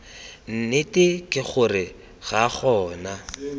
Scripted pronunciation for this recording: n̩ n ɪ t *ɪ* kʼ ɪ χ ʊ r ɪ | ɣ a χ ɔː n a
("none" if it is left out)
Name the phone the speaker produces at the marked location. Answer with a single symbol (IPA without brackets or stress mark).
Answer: ɪ